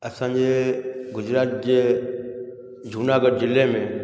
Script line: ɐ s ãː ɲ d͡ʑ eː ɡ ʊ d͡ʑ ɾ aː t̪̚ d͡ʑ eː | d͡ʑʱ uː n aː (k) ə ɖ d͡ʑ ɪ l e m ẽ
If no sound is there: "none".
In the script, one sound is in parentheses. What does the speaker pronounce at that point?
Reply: ɡ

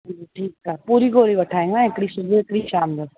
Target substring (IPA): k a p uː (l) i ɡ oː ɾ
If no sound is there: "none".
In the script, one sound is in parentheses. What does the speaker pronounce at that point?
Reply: ɾ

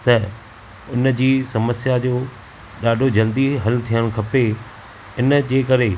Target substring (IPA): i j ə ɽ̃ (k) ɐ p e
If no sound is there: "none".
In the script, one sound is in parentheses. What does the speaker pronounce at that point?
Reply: kʰ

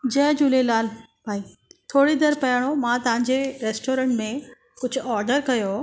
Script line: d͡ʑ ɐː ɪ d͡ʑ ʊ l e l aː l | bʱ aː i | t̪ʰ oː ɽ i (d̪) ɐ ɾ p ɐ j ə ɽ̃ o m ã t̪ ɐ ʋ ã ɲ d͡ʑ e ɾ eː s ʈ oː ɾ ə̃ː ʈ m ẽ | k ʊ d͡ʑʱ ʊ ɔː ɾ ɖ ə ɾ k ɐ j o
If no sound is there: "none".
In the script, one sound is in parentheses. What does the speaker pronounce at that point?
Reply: d̪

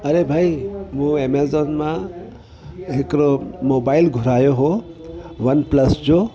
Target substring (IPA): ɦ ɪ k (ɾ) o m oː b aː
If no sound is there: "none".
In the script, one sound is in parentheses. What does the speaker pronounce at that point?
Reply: ɾ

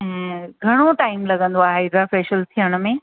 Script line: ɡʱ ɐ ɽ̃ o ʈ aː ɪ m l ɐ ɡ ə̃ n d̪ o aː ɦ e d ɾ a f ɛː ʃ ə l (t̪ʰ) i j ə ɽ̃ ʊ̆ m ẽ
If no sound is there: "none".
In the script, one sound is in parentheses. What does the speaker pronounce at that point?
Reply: t̪ʰ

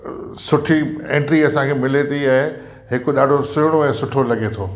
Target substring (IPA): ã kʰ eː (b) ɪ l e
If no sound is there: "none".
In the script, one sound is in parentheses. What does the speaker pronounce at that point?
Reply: m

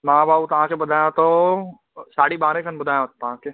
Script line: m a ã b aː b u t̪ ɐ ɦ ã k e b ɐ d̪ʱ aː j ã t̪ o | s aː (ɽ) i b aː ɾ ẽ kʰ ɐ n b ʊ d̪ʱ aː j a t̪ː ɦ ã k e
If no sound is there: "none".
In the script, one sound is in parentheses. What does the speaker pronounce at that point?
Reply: ɽ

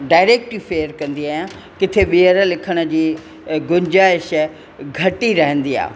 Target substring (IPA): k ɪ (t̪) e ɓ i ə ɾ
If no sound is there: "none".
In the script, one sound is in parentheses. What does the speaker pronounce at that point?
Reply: t̪ʰ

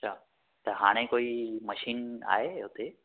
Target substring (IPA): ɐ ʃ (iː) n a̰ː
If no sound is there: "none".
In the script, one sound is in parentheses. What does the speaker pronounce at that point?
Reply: iː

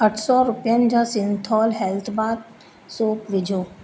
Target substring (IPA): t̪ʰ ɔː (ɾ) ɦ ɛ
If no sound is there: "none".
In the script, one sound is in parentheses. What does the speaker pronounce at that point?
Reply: l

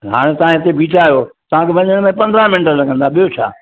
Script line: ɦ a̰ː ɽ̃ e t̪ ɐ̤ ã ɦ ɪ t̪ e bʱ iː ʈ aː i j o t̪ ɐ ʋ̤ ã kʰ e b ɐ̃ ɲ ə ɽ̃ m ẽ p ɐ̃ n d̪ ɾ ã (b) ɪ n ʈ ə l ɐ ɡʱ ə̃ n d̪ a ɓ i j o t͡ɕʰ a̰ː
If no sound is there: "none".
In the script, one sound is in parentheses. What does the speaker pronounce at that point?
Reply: m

